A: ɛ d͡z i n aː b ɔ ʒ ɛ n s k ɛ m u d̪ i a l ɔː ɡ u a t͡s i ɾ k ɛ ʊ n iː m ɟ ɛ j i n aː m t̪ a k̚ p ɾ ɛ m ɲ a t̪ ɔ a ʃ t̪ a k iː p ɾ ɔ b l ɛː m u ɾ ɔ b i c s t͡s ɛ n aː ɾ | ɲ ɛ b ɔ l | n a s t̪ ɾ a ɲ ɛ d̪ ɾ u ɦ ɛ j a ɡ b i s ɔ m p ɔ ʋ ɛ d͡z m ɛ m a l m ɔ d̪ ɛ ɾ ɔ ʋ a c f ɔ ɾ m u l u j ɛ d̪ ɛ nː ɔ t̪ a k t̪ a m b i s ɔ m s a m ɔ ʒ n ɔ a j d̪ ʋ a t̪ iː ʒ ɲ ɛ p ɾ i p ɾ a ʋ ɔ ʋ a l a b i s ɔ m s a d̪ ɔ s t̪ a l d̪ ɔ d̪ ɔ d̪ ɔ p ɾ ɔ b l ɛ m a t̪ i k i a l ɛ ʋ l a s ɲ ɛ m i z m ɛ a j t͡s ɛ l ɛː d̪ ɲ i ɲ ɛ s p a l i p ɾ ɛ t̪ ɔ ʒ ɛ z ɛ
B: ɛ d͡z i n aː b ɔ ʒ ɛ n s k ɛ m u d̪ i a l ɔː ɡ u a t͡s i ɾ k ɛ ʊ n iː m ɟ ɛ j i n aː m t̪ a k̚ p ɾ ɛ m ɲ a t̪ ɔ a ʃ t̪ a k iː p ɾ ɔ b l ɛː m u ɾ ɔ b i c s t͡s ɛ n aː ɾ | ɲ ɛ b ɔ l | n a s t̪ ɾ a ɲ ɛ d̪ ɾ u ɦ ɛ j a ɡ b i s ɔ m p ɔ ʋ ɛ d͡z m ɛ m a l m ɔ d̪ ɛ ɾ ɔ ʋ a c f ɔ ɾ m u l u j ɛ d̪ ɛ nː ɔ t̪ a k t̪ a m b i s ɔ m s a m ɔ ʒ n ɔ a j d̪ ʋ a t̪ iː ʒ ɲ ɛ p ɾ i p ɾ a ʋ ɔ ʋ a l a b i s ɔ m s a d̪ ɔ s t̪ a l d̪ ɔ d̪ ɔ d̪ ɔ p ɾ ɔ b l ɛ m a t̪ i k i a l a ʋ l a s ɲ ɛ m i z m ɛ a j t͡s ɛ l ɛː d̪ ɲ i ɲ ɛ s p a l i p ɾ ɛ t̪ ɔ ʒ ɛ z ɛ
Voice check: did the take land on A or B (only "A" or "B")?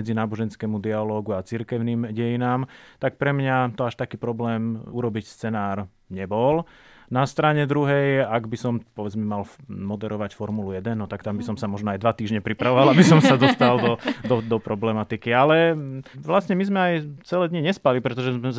A